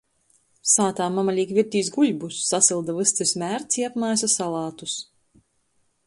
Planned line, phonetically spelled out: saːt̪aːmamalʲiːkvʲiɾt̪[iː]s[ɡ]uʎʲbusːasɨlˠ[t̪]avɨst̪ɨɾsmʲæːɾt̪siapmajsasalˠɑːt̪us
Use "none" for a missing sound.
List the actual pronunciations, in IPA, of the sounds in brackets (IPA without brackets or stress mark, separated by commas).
iː, ɡ, d̪